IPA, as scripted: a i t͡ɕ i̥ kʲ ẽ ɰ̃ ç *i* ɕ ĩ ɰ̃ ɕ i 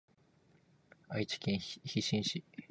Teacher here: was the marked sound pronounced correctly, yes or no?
yes